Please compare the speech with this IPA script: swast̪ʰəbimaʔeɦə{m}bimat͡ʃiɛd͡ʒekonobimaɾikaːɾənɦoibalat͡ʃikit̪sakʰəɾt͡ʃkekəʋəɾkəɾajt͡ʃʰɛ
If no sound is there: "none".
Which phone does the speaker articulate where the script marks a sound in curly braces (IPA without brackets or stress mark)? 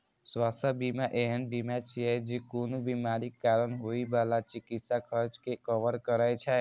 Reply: n